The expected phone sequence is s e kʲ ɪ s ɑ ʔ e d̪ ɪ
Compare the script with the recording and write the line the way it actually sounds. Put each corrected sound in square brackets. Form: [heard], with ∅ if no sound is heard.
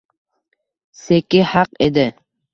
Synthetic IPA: s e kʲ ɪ [h] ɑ [q] e d̪ ɪ